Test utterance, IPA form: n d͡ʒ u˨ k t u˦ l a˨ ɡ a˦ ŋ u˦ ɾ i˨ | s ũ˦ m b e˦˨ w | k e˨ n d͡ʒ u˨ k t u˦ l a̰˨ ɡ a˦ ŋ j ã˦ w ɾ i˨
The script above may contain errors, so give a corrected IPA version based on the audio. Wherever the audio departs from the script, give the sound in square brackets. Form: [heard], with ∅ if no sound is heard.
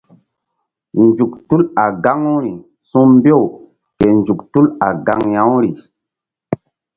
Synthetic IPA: n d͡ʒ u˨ k t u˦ l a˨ ɡ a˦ ŋ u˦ ɾ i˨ | s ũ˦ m b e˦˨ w | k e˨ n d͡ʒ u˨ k t u˦ l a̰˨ ɡ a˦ ŋ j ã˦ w ɾ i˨